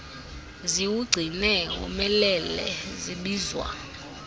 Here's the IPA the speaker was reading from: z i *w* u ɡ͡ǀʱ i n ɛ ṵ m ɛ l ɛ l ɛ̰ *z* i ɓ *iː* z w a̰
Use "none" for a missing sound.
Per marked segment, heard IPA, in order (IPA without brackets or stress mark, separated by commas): w, z, iː